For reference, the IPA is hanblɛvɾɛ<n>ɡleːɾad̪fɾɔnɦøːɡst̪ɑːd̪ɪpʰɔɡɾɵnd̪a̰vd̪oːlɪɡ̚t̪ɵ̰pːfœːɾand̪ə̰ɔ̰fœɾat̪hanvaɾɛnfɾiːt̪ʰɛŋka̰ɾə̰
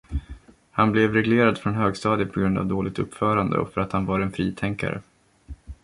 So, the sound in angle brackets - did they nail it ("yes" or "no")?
no